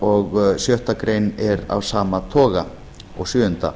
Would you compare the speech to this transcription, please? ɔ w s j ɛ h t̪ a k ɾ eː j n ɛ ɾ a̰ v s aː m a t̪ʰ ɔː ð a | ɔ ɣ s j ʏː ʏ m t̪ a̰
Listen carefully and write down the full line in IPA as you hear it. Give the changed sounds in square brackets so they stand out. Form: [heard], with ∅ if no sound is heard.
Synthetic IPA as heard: ɔ [ɣ] s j [œ] h t̪ a k ɾ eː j n ɛ ɾ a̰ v s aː m a t̪ʰ ɔː [ɣ] a | ɔ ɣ s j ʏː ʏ [n] t̪ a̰